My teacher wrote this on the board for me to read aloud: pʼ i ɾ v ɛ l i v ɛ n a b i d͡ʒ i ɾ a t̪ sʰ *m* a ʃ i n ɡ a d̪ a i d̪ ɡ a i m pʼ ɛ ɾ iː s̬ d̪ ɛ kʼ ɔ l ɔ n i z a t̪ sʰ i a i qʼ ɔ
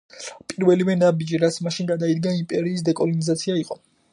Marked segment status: correct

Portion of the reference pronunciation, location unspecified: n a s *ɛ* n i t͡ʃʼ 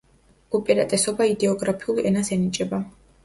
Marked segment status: correct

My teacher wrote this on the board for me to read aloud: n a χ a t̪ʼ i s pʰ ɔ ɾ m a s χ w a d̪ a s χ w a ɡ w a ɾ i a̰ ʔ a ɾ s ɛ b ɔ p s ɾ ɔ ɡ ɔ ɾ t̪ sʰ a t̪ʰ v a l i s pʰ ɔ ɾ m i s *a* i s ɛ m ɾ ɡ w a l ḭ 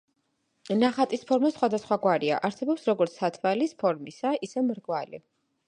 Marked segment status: correct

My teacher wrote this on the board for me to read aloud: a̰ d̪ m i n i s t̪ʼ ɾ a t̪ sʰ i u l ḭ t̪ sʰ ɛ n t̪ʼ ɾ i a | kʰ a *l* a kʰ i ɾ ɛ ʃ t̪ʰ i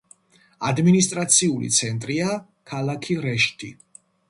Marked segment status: correct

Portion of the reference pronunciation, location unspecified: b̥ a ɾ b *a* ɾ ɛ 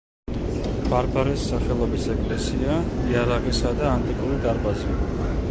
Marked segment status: correct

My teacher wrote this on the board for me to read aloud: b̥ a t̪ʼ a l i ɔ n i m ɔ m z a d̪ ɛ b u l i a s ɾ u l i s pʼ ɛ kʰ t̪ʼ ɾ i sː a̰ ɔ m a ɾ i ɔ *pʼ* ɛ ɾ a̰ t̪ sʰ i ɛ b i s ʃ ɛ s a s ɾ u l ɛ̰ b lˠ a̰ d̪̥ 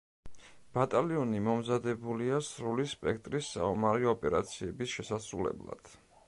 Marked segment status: correct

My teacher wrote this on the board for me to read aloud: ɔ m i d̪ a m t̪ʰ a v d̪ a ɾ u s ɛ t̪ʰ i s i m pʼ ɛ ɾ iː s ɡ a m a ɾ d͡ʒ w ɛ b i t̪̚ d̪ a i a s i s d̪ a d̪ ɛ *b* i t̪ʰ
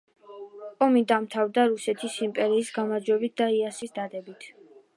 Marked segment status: correct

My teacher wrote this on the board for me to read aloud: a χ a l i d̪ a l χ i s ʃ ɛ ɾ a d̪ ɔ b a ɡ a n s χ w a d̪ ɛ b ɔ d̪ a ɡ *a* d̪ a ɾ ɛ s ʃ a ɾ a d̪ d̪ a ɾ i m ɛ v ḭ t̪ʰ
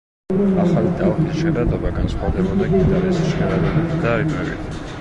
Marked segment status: incorrect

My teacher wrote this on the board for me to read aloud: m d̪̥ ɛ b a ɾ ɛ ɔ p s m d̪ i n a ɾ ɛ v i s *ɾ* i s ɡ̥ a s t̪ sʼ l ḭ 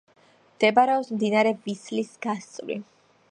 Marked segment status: incorrect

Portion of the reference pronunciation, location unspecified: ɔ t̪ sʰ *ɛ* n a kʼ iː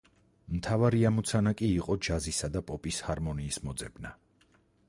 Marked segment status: incorrect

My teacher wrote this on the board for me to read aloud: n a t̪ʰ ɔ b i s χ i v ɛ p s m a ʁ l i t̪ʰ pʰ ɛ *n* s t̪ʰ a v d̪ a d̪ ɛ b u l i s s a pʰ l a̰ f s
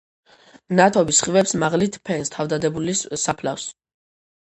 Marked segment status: correct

